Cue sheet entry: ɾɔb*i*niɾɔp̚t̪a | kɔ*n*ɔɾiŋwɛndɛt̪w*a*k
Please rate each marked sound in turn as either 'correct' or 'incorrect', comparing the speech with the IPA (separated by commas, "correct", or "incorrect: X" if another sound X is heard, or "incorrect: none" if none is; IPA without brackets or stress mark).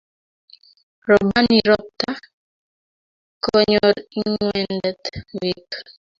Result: incorrect: a, incorrect: ɲ, incorrect: i